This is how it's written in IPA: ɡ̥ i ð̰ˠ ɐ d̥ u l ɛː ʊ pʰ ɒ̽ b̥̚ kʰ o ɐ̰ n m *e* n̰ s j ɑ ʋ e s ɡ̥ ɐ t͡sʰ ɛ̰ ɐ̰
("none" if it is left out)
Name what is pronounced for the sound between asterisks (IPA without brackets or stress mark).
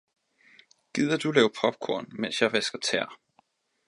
e